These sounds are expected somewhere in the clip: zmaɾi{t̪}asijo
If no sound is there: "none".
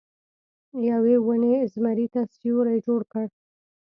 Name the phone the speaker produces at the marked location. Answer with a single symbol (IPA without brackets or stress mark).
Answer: t̪